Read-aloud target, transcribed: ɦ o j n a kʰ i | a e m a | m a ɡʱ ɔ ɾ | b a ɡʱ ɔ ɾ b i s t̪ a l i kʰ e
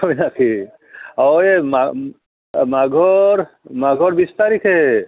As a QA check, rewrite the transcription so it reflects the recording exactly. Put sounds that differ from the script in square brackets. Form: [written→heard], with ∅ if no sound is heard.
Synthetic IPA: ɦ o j n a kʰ i | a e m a | m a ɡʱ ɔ ɾ | [b→m] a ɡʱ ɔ ɾ b i s t̪ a [l→ɾ] i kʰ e